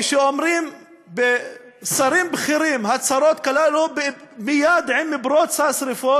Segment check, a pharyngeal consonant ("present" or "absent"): present